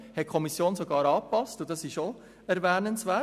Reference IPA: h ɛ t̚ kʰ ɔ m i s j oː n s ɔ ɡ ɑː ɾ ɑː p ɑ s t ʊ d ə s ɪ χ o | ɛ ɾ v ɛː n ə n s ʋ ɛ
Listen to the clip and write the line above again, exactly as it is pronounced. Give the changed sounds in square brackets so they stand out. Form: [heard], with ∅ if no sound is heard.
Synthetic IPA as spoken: h ɛ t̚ kʰ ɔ m i s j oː n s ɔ ɡ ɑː ɾ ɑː p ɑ s t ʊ d [ɑ] s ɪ [ʃ] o | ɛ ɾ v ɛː n ə n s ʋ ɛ